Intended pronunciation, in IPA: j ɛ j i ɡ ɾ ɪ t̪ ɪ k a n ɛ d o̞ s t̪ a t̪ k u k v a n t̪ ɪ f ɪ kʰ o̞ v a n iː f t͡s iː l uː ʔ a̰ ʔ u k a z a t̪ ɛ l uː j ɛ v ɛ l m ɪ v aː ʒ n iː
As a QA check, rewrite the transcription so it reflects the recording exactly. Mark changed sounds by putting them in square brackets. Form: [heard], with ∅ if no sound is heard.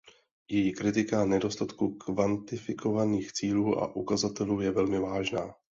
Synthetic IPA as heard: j ɛ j i [k] ɾ ɪ t̪ ɪ k a n ɛ d o̞ s t̪ a t̪ k u k v a n t̪ ɪ f ɪ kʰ o̞ v a n iː [x] t͡s iː l uː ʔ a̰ ʔ u k a z a t̪ ɛ l uː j ɛ v ɛ l m ɪ v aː ʒ n [aː]